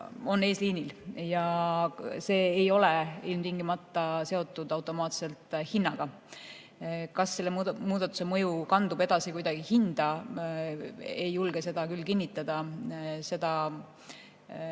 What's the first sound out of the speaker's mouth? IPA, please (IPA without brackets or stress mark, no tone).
o̞